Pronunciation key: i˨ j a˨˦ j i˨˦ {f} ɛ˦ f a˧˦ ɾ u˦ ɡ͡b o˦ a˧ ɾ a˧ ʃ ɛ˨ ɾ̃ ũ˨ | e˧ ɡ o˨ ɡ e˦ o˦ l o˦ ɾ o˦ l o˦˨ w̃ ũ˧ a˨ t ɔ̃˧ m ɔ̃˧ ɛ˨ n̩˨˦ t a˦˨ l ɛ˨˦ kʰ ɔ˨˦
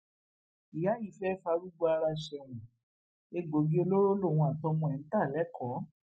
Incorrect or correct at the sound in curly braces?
correct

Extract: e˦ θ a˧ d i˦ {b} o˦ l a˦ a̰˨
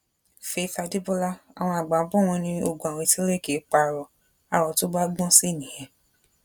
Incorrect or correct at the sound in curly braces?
correct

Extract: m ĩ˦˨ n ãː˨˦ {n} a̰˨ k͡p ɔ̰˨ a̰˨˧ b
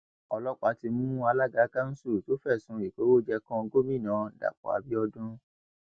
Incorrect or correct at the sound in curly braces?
incorrect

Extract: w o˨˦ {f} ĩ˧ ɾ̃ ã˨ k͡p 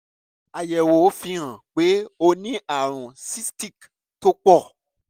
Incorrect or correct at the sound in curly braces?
correct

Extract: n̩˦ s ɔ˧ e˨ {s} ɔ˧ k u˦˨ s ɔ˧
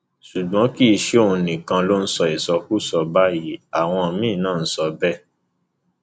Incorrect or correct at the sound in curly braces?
correct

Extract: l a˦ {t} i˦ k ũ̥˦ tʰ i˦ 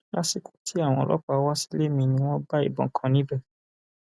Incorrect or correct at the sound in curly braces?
incorrect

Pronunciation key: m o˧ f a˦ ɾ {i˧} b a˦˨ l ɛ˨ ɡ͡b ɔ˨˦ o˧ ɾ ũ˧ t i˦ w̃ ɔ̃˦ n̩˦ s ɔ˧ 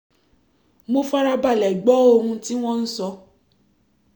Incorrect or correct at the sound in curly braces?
incorrect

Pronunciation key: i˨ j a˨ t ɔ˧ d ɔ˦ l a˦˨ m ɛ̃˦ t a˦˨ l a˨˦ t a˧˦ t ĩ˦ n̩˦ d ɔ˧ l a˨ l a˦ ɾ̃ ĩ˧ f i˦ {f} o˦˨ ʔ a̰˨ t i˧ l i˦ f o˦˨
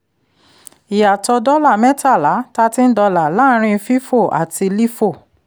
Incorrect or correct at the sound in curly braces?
correct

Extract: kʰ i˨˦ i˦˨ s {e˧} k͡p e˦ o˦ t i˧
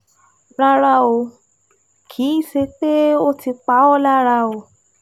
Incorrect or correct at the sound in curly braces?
correct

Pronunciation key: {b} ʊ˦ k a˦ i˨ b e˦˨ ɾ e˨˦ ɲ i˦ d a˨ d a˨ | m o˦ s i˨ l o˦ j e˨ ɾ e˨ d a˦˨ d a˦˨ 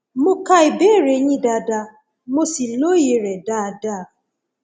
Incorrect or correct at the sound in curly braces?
incorrect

